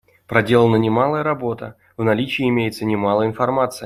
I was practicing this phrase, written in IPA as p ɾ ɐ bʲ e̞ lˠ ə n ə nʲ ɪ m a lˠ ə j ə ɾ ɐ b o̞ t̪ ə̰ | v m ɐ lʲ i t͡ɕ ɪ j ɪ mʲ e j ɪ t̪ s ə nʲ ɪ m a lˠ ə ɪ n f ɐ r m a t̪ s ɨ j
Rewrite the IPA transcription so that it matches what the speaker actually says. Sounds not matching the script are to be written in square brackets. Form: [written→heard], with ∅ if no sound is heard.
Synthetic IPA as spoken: p ɾ ɐ [bʲ→dʲ] e̞ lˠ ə n ə nʲ ɪ m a lˠ ə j ə ɾ ɐ b o̞ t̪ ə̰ | v [m→n] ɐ lʲ i t͡ɕ ɪ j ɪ mʲ e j ɪ t̪ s ə nʲ ɪ m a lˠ ə ɪ n f ɐ r m a t̪ s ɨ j